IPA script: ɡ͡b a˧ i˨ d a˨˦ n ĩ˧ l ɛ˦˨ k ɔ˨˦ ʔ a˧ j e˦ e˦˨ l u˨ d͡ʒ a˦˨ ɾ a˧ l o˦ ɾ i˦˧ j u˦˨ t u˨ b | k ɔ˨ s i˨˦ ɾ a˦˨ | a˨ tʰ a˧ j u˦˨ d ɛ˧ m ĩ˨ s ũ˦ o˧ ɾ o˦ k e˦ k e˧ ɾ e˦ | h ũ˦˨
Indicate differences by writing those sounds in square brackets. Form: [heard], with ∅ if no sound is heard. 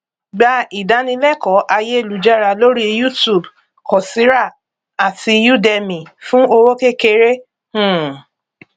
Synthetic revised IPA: ɡ͡b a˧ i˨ d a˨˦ n ĩ˧ l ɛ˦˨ k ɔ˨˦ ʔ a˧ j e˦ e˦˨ l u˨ d͡ʒ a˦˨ ɾ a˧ l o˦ ɾ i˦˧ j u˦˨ t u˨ b | k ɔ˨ s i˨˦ ɾ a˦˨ | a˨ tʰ [i˧] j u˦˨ d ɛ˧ m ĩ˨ [f] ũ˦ o˧ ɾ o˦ k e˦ k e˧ ɾ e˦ | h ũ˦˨